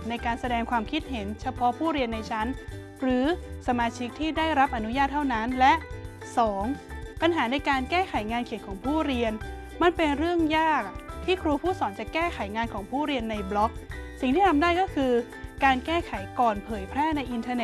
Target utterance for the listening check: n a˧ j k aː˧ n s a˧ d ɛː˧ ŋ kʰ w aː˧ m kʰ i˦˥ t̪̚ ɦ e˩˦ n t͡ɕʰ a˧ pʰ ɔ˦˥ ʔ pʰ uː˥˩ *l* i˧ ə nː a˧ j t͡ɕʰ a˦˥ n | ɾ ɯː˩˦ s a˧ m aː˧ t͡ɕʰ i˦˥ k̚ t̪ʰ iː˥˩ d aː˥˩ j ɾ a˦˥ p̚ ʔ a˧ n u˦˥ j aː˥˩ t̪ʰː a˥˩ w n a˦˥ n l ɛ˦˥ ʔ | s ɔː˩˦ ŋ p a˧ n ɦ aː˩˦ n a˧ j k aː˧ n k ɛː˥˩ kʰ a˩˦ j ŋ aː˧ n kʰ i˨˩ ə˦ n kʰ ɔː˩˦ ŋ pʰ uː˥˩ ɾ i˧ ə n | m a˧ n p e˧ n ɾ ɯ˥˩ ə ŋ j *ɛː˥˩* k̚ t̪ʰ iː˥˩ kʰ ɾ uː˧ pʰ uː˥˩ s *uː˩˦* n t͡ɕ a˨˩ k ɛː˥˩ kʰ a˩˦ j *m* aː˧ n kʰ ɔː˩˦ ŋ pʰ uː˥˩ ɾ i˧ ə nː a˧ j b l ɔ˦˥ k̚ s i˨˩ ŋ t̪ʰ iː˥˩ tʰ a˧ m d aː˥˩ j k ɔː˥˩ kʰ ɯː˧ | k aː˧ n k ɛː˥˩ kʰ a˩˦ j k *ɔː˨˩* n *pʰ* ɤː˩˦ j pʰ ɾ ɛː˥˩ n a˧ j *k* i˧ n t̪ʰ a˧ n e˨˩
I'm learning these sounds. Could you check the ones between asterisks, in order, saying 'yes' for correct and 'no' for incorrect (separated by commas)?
no, no, no, no, yes, yes, no